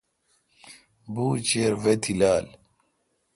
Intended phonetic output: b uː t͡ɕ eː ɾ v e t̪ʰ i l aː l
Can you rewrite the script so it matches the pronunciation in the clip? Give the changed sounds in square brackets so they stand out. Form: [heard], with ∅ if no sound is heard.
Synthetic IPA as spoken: b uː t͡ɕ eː ɾ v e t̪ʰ i l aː l